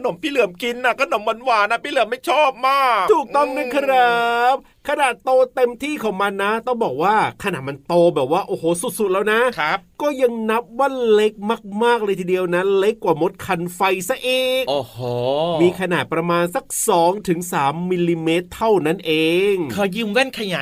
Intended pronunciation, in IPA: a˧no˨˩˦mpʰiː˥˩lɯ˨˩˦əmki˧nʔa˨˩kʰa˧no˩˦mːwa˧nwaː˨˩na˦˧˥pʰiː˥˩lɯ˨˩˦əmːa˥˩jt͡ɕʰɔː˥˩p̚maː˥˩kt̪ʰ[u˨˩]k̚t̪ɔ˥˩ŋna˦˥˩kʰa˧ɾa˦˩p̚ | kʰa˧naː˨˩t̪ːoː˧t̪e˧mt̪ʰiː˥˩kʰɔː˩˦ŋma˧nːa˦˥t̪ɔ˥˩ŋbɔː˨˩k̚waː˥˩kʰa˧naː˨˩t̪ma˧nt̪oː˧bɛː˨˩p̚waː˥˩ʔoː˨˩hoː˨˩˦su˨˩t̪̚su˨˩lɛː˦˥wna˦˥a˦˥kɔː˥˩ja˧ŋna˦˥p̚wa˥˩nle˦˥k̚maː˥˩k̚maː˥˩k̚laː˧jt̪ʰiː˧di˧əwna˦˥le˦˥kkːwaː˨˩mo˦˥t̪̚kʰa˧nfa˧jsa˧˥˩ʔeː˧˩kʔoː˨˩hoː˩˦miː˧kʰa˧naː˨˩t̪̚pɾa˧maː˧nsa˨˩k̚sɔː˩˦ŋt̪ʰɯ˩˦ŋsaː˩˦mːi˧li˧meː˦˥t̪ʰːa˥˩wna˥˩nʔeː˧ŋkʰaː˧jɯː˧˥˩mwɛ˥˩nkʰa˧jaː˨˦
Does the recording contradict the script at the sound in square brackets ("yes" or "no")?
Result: yes